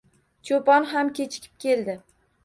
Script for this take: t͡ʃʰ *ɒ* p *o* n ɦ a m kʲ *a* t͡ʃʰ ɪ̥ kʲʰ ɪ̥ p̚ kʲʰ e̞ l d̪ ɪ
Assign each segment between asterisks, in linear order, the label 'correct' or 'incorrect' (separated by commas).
incorrect, incorrect, incorrect